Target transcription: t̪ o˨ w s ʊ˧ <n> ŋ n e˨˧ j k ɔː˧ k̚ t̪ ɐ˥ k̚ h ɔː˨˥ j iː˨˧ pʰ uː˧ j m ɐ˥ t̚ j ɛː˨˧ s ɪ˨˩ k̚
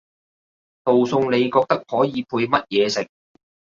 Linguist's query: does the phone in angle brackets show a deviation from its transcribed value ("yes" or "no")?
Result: yes